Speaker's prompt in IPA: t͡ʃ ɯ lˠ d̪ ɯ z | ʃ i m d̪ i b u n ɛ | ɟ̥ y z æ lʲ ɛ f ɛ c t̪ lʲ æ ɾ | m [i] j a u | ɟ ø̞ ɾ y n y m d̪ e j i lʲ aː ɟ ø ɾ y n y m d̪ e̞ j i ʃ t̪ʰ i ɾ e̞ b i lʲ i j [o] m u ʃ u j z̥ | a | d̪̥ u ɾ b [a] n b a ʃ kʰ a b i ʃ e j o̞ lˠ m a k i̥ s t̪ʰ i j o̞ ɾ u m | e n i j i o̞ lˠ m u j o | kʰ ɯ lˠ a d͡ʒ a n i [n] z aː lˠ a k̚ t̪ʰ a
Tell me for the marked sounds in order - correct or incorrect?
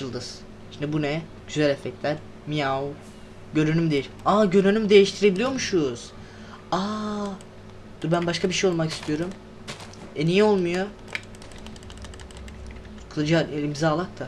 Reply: correct, correct, incorrect, incorrect

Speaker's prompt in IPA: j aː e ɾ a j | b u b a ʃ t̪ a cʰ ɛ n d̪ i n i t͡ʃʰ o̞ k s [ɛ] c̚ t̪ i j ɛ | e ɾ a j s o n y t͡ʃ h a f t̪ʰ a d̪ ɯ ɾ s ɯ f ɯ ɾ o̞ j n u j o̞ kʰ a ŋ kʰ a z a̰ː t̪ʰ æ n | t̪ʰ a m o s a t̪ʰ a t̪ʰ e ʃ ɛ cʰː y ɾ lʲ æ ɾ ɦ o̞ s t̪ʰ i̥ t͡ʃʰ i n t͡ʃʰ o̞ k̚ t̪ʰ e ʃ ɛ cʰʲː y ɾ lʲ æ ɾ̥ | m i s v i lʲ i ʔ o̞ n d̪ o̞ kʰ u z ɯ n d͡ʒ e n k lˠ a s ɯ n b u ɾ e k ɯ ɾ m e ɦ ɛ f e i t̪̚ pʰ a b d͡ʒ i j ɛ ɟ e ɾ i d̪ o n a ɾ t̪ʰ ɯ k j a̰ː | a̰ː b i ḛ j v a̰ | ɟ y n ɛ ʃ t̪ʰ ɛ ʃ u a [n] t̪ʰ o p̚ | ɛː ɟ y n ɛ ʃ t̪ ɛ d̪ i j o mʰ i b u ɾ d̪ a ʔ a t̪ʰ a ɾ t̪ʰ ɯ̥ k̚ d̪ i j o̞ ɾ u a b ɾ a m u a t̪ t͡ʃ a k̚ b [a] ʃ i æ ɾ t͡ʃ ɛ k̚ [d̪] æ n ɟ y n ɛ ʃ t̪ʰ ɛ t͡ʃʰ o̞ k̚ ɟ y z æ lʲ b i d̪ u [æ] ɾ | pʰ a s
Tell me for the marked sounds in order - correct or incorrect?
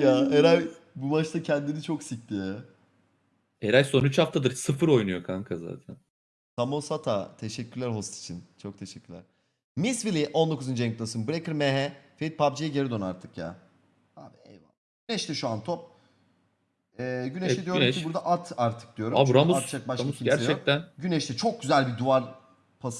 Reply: incorrect, correct, correct, incorrect, incorrect

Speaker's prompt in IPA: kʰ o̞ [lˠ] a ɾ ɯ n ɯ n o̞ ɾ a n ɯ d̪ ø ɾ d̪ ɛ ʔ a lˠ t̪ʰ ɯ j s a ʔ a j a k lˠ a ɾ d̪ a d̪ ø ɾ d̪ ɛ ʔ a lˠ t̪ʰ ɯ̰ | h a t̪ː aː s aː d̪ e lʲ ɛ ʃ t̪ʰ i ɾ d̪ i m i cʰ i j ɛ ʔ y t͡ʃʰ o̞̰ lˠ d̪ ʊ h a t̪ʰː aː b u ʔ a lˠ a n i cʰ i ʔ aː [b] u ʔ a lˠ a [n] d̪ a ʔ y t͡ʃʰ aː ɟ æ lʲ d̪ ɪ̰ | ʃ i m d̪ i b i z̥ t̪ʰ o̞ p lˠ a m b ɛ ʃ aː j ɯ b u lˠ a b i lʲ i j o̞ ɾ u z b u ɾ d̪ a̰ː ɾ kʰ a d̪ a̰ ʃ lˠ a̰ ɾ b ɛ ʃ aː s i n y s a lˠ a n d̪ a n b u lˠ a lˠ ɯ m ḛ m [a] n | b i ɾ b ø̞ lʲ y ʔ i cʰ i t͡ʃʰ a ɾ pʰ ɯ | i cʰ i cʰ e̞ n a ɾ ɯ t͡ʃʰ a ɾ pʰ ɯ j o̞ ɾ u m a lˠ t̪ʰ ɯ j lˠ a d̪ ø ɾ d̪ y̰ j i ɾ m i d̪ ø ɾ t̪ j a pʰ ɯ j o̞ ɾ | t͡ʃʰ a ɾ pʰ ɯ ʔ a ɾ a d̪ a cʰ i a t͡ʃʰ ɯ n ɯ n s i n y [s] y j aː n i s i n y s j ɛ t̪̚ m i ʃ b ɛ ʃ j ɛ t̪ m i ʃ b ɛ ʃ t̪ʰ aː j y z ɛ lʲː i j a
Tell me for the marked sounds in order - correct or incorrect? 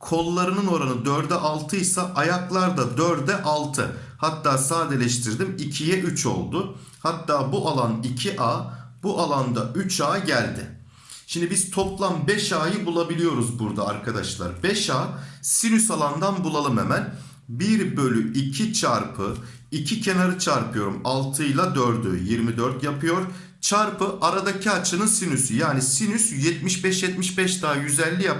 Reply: incorrect, correct, correct, incorrect, correct

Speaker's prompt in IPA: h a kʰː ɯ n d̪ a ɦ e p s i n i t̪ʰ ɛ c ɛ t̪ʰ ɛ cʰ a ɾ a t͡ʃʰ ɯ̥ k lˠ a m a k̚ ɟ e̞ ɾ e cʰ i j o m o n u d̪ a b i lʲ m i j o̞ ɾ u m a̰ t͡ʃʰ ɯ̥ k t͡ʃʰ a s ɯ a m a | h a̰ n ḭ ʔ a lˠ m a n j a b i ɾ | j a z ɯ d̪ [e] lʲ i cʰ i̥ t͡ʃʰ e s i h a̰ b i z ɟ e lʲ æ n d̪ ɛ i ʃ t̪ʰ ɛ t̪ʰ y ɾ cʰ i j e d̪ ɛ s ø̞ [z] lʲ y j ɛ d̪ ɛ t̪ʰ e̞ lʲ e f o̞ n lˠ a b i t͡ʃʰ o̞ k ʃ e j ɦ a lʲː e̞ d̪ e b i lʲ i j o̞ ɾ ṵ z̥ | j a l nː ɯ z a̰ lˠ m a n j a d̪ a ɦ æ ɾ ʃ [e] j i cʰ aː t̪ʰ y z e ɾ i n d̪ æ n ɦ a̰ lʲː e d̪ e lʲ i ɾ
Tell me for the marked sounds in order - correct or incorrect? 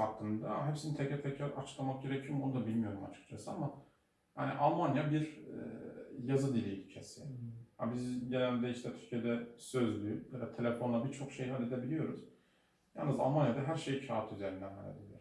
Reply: incorrect, correct, correct

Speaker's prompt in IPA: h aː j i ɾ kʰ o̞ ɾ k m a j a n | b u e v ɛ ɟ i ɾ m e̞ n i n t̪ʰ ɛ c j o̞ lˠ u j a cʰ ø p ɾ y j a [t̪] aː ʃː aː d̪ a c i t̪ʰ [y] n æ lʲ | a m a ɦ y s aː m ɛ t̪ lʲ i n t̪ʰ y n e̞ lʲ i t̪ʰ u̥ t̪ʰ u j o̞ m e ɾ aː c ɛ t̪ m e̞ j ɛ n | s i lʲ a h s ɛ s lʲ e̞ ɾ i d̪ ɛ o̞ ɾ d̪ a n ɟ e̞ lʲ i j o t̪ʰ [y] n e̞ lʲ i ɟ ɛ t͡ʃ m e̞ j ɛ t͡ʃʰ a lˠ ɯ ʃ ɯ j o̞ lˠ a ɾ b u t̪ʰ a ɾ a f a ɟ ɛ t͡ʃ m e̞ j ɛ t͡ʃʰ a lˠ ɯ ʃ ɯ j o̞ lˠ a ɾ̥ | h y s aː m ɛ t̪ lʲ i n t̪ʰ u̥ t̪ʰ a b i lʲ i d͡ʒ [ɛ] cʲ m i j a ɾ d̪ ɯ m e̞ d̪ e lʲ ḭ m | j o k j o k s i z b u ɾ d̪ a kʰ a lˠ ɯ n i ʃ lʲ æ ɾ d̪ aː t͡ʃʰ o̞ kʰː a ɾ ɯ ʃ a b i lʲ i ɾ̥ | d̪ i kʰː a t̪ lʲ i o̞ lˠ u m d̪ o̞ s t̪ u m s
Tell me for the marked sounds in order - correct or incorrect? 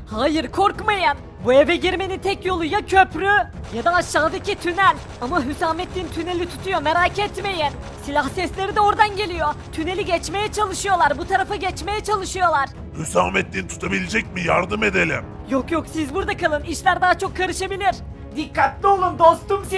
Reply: incorrect, correct, correct, correct

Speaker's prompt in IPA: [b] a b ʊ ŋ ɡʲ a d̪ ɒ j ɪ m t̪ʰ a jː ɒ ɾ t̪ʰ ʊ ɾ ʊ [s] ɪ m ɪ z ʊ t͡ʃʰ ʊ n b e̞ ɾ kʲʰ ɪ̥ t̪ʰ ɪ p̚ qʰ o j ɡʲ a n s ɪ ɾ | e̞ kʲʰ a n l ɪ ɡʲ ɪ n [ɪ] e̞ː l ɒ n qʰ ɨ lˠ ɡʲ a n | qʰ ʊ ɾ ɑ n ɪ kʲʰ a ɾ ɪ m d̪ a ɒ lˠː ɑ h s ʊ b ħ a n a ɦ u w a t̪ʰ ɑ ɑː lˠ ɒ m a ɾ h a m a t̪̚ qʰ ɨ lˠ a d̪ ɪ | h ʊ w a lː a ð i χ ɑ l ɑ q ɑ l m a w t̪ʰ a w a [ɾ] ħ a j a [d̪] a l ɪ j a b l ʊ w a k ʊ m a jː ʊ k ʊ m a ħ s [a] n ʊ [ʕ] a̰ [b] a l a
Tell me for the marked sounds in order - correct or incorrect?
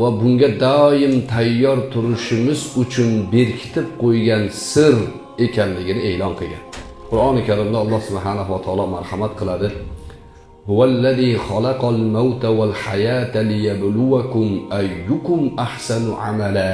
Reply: incorrect, incorrect, correct, incorrect, incorrect, correct, correct, incorrect

